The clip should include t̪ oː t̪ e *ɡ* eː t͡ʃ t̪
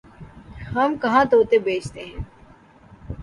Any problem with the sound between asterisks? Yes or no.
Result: yes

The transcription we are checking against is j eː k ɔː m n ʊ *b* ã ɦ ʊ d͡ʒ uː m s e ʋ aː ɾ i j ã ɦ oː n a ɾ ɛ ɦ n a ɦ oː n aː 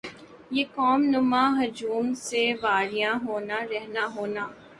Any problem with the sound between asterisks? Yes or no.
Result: yes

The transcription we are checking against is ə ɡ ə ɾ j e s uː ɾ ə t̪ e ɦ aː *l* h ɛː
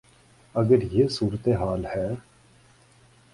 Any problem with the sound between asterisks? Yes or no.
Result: no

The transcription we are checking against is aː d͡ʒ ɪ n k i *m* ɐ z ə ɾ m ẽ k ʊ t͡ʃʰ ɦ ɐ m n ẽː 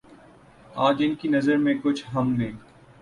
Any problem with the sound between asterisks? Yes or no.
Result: yes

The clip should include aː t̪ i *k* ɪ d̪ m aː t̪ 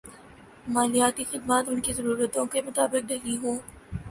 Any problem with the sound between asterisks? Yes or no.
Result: yes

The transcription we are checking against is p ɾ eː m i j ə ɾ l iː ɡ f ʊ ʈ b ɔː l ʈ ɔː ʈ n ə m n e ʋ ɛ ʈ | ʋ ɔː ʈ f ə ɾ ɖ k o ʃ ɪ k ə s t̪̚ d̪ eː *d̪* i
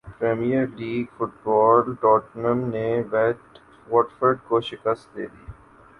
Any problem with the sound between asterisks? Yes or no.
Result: no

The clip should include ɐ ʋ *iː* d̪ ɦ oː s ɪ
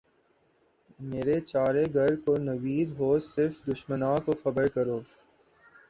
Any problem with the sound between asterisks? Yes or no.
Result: no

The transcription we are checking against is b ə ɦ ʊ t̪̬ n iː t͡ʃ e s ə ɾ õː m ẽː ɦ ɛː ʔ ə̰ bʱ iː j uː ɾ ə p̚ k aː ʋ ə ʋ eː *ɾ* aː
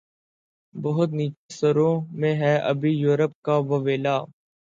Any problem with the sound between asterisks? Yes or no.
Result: yes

